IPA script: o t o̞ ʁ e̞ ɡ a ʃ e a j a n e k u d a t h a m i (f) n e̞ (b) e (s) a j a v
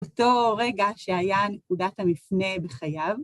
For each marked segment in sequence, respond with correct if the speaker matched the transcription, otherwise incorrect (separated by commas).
correct, correct, incorrect